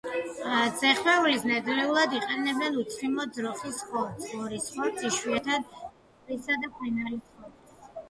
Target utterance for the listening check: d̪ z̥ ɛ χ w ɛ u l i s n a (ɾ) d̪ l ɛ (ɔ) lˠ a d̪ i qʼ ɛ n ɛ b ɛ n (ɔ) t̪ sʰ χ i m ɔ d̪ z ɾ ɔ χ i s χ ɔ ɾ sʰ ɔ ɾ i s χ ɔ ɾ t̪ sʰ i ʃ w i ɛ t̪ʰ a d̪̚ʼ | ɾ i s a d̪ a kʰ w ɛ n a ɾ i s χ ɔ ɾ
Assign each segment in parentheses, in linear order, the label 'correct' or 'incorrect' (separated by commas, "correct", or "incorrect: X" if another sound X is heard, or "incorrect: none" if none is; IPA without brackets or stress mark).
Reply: incorrect: none, incorrect: u, incorrect: u